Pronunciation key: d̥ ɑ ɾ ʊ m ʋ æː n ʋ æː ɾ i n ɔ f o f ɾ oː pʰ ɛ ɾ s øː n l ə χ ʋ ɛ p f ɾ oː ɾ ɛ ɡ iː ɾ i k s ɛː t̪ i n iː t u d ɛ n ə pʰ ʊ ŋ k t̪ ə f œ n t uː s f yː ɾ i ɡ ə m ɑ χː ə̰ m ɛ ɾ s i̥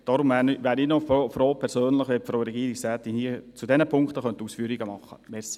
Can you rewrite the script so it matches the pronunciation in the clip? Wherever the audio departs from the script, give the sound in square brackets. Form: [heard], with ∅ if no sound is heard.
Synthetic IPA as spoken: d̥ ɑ ɾ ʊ m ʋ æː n ʋ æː ɾ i n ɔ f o f ɾ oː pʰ ɛ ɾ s øː n l ə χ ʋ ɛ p f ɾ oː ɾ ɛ ɡ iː ɾ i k s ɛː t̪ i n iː [t͡s] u d ɛ n ə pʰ ʊ ŋ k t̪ ə [χ] œ n t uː s f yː ɾ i ɡ ə m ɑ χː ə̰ m ɛ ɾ s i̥